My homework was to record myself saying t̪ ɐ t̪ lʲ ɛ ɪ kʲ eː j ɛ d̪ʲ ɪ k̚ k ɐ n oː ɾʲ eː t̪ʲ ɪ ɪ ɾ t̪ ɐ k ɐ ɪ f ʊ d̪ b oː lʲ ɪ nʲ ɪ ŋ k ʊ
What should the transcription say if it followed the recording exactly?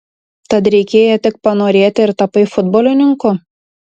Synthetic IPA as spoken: t̪ ɐ t̪ ɾʲ ɛ ɪ kʲ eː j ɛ t̪ʲ ɪ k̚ p ɐ n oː ɾʲ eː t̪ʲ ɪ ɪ ɾ t̪ ɐ p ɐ ɪ f ʊ d̪ b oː lʲ ɪ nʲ ɪ ŋ k ʊ